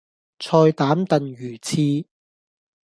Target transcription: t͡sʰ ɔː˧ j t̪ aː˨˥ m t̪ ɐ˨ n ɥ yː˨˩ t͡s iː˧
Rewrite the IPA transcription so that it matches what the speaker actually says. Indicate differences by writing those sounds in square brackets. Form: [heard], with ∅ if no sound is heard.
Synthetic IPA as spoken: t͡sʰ ɔː˧ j t̪ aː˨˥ m t̪ ɐ˨ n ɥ yː˨˩ [t͡sʰ] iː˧

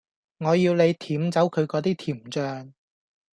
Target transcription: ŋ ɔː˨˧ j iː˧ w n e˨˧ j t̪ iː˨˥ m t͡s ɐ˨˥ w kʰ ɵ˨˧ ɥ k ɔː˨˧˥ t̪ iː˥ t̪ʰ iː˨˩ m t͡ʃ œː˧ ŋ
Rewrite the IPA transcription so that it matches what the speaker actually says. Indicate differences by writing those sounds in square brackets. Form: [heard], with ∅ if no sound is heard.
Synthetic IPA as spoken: ŋ ɔː˨˧ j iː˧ w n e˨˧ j [t̪ʰ] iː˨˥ m t͡s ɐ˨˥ w kʰ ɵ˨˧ ɥ k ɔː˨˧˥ t̪ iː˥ t̪ʰ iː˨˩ m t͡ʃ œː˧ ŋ

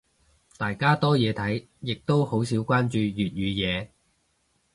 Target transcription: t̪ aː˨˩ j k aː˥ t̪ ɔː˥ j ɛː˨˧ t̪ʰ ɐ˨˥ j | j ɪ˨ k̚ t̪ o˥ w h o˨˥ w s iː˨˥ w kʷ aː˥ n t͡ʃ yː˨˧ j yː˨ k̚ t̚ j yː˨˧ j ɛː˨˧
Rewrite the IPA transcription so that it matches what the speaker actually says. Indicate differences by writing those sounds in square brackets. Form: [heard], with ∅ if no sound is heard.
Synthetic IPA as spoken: t̪ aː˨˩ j k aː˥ t̪ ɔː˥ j ɛː˨˧ t̪ʰ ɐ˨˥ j | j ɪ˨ k̚ t̪ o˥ w h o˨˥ w s iː˨˥ w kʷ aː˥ n t͡ʃ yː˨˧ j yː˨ [∅] t̚ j yː˨˧ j ɛː˨˧

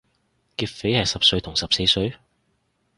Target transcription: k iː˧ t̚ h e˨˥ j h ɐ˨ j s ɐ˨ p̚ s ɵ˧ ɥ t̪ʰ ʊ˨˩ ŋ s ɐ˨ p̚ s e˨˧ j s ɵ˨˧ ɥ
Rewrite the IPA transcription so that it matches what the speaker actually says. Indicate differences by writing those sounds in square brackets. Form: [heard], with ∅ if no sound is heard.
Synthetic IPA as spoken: k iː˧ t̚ [f] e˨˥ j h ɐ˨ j s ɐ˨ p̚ s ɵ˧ ɥ t̪ʰ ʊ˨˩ ŋ s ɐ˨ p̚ s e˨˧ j s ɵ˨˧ ɥ

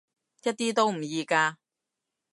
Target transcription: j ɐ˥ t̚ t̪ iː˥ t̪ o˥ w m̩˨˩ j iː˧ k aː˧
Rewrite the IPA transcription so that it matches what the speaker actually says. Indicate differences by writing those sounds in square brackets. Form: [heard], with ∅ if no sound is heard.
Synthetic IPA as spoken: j ɐ˥ t̚ t̪ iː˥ t̪ o˥ w m̩˨˩ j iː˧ k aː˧

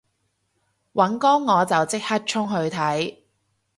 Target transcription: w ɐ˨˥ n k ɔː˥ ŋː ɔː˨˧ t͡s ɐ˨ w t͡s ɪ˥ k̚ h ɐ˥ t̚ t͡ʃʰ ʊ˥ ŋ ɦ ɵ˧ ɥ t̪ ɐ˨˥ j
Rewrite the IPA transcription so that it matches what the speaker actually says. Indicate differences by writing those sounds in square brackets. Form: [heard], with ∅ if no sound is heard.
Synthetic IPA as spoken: w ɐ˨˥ n k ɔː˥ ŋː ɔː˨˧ t͡s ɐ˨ w t͡s ɪ˥ k̚ h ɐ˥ t̚ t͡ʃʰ ʊ˥ ŋ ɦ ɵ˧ ɥ [t̪ʰ] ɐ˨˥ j

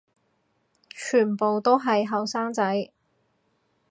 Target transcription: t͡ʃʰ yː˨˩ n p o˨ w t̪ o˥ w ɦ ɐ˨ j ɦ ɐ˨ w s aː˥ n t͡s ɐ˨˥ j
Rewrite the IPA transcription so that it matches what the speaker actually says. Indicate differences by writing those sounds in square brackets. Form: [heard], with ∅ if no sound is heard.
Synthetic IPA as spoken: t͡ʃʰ yː˨˩ n p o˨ w t̪ o˥ w ɦ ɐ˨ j ɦ ɐ˨ w s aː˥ [ŋ] t͡s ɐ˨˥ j

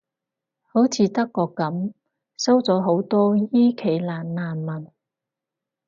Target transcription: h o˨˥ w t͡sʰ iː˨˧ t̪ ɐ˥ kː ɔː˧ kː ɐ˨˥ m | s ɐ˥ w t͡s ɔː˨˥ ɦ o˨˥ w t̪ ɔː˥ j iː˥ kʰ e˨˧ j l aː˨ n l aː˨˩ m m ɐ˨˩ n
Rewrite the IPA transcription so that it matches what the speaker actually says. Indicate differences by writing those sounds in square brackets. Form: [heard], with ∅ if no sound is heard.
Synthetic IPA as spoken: h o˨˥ w t͡sʰ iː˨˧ t̪ ɐ˥ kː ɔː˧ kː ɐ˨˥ m | s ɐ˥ w t͡s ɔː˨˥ ɦ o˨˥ w t̪ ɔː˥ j iː˥ kʰ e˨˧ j l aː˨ n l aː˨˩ [n] m ɐ˨˩ n

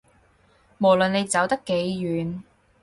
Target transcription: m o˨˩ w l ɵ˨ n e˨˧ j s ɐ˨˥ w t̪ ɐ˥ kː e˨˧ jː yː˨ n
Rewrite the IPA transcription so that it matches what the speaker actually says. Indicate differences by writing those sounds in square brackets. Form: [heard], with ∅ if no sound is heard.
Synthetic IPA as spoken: m o˨˩ w l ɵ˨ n e˨˧ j [t͡s] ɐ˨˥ w t̪ ɐ˥ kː e˨˧ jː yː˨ n

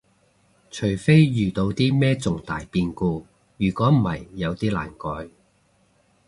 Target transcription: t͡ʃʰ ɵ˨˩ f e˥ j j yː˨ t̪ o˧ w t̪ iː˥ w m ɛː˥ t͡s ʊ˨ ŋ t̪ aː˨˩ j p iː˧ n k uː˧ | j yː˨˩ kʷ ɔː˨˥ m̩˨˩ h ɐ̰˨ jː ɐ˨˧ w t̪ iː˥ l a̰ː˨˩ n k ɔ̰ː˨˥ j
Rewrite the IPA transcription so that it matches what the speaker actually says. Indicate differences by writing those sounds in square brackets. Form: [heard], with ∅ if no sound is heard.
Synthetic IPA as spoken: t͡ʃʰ ɵ˨˩ f e˥ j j yː˨ t̪ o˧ w t̪ iː˥ [∅] m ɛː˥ t͡s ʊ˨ ŋ t̪ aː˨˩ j p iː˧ n k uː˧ | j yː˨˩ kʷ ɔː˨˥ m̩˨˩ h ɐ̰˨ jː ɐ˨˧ w t̪ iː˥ l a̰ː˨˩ n k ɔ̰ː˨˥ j

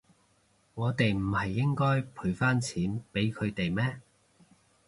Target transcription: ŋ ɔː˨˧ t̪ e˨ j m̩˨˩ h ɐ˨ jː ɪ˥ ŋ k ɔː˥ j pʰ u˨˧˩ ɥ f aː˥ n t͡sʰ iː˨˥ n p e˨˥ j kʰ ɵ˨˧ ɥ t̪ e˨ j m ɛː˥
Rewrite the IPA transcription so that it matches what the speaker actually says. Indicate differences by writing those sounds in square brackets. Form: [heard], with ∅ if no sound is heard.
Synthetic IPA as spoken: ŋ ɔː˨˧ t̪ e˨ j m̩˨˩ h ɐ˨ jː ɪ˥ ŋ k ɔː˥ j pʰ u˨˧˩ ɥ f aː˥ n t͡sʰ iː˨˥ n p e˨˥ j kʰ ɵ˨˧ ɥ t̪ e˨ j m ɛː˥

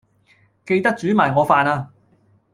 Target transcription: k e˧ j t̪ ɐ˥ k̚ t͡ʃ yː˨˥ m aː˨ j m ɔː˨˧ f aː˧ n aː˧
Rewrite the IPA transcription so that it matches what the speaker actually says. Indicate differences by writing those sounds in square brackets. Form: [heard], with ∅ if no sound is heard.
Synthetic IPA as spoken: k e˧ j t̪ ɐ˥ k̚ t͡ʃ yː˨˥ m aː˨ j [ŋ] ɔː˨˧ f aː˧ n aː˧

